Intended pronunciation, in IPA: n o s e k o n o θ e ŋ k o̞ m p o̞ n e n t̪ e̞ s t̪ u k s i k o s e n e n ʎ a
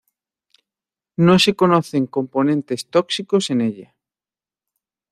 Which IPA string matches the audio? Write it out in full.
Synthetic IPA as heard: n o s e k o n o θ e ŋ k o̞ m p o̞ n ẽ n t̪ e̞ s t̪ o k s i k o s e n e ʎ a